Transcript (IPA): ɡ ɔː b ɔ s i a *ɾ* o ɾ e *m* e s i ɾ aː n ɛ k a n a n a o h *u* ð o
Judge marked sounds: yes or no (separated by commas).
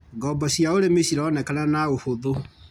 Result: no, yes, no